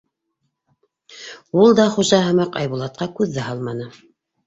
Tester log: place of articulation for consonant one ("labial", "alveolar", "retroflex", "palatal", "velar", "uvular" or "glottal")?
alveolar